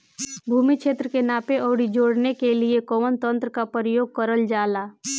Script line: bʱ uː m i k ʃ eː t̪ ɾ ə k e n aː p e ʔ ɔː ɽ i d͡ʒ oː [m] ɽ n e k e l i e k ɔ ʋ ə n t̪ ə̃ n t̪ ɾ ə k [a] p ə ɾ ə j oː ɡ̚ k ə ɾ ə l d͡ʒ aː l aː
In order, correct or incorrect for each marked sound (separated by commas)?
incorrect, correct